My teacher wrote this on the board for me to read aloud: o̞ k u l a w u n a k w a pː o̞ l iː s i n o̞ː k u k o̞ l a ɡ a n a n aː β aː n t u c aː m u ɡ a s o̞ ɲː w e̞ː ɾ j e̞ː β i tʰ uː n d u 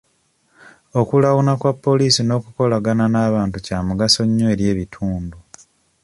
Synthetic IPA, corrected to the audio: o̞ k u l a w u n a k w a pː o̞ l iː s i n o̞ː k u k o̞ l a ɡ a n a n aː β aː n t u c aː m u ɡ a s o̞ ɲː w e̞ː ɾ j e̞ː β i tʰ uː n d u